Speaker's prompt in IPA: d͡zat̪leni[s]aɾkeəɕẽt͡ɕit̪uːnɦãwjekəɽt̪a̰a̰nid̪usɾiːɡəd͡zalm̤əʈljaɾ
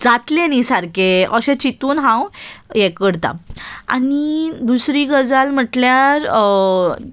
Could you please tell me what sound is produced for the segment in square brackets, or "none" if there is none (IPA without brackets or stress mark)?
s